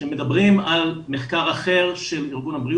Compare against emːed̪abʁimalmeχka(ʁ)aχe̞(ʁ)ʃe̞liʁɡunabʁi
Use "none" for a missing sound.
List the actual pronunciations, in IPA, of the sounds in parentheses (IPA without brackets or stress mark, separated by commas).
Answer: ʁ, ʁ